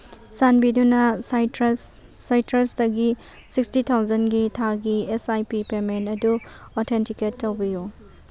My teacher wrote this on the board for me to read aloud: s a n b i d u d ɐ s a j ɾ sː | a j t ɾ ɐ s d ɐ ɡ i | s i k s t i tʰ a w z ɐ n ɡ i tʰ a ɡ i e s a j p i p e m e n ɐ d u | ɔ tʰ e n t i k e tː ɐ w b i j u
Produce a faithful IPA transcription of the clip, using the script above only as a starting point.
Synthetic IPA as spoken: s a n b i d u n ɐ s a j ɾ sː | a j t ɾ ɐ s d ɐ ɡ i | s i k s t i tʰ a w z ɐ n ɡ i tʰ a ɡ i e s a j p i p e m e n ɐ d u | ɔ tʰ e n t i k e tː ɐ w b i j u